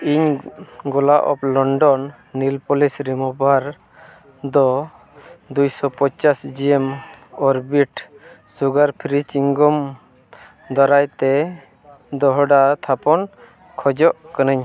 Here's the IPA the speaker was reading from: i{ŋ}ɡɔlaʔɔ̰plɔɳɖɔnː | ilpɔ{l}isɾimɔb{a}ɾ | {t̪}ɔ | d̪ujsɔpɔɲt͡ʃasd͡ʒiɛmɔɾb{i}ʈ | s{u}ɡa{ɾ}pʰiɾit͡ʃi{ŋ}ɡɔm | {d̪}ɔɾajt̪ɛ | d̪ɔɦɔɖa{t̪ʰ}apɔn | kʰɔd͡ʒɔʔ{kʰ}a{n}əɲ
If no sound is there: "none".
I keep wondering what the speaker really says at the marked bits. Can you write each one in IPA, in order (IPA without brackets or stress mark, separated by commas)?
ɲ, l, a, d̪, i, u, ɾ, ŋ, d̪, t̪ʰ, k, n